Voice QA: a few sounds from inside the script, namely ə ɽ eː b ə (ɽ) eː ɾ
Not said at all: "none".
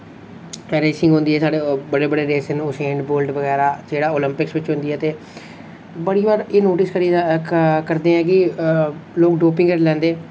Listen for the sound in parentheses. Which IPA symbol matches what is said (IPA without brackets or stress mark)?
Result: ɽ